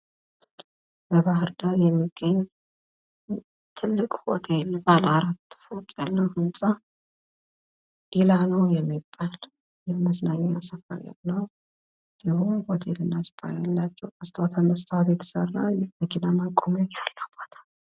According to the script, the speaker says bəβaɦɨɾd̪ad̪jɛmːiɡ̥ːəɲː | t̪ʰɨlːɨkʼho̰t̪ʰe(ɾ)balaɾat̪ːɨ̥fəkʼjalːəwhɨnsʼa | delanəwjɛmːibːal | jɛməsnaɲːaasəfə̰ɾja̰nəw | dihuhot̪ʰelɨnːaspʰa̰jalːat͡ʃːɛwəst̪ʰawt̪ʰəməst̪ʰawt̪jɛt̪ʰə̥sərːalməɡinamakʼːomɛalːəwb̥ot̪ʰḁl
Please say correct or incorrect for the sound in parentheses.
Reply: incorrect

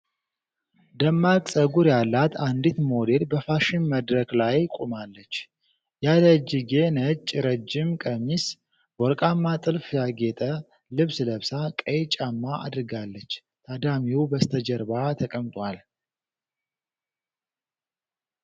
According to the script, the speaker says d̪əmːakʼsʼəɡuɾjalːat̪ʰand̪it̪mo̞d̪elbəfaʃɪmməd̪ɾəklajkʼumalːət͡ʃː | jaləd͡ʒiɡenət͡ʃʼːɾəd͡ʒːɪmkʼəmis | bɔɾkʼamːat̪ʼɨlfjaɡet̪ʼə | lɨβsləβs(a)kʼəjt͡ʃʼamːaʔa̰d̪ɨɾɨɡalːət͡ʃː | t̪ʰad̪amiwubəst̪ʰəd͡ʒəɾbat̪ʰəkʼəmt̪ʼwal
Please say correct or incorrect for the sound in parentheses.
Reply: correct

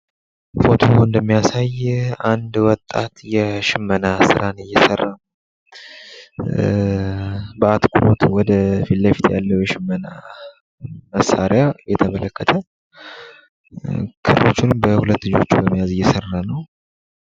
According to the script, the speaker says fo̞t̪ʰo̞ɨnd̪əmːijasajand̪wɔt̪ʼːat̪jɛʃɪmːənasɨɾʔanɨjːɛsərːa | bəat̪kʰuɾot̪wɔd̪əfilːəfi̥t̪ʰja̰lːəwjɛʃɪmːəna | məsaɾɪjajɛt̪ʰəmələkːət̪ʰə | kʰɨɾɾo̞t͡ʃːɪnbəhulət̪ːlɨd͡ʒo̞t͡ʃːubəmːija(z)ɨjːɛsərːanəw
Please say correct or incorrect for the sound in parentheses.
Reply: correct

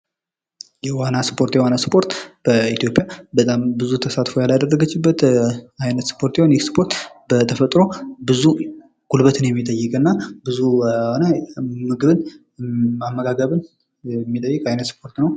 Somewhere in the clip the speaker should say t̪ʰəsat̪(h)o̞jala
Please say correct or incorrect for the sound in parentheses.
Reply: incorrect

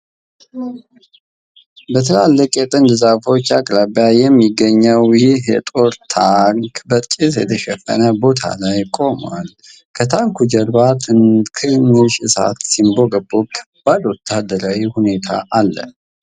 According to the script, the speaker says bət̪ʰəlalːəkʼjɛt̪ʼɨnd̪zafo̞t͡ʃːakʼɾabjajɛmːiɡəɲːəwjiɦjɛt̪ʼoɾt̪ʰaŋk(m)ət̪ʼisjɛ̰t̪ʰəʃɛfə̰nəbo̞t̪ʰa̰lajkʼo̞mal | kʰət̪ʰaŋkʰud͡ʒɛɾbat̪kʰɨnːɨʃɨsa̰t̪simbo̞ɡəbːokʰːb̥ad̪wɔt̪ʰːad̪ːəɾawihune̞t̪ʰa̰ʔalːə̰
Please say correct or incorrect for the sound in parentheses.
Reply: incorrect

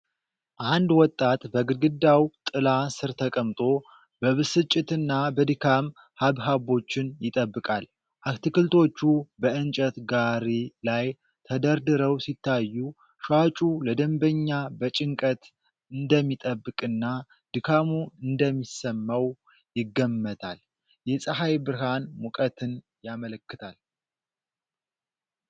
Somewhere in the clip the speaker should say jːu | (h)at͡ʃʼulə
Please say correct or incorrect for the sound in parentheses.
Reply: incorrect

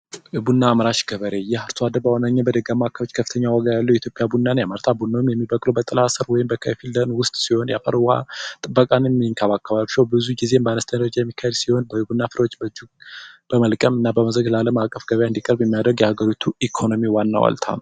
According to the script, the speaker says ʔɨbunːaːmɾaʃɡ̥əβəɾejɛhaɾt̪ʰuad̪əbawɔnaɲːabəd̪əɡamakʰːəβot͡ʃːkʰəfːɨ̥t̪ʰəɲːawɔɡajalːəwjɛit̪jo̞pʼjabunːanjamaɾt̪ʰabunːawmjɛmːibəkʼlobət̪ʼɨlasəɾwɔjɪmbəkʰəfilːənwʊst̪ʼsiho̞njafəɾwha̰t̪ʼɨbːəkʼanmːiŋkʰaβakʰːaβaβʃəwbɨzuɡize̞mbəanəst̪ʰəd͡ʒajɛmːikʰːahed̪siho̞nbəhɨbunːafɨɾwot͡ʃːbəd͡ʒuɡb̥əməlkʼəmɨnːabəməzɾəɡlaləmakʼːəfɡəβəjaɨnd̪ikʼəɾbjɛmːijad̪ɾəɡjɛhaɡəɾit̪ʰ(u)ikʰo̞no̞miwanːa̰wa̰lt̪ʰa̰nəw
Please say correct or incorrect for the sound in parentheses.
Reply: correct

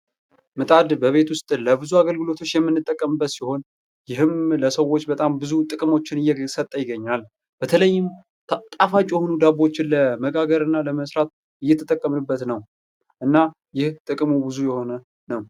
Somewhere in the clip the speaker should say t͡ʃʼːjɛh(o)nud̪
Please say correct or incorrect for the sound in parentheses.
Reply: correct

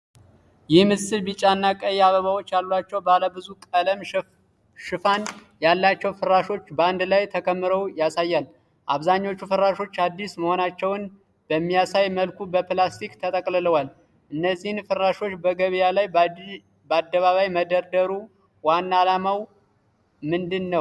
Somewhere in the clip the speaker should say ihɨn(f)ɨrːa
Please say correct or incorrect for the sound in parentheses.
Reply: correct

